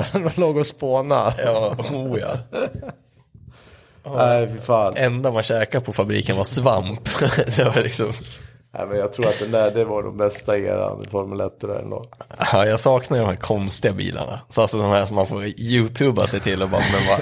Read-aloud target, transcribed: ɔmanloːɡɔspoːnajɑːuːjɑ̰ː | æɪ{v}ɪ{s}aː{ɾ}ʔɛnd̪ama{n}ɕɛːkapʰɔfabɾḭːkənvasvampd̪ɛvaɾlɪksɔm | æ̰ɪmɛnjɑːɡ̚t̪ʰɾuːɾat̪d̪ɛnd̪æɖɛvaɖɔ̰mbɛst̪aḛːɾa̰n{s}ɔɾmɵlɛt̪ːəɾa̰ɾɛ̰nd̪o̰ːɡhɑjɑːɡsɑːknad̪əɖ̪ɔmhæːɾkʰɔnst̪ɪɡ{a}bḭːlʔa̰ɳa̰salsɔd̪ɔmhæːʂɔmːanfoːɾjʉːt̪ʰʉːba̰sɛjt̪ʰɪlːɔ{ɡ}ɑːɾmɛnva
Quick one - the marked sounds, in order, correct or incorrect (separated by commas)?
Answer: incorrect, incorrect, incorrect, correct, incorrect, correct, incorrect